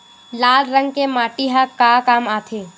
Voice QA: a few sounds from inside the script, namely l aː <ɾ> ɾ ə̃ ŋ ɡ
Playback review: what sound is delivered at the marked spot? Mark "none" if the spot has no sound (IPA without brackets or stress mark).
l